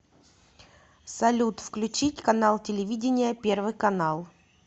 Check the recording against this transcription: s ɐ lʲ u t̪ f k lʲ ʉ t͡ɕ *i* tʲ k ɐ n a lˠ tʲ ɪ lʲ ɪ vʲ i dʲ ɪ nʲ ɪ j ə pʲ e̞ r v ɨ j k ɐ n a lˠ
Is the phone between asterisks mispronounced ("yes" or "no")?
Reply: no